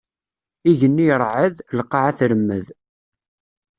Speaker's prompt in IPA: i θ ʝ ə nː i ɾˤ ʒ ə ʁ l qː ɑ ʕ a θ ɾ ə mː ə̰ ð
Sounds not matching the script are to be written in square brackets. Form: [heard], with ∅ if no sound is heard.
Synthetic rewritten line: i [∅] ʝ ə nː i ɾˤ [ʕ] ə [ð] l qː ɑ ʕ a θ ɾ ə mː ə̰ ð